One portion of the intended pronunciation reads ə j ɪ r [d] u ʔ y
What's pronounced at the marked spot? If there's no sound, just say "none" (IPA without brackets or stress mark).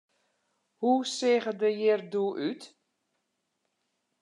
d